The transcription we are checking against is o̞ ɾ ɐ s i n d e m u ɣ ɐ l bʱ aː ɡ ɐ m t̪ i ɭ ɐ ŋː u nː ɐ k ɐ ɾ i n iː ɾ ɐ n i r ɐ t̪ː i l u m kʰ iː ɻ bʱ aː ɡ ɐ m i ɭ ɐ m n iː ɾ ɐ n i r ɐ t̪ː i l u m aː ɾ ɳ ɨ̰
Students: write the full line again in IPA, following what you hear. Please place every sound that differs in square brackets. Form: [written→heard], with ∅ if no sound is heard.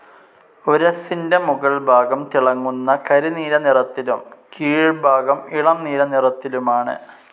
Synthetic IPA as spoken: o̞ ɾ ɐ s i n d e m u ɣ ɐ [l→ɭ] bʱ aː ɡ ɐ m t̪ i ɭ ɐ ŋː u nː ɐ k ɐ ɾ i n iː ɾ ɐ n i r ɐ t̪ː i l u m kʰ iː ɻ bʱ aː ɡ ɐ m i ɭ ɐ m n iː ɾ ɐ n i r ɐ t̪ː i l u m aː [ɾ→∅] ɳ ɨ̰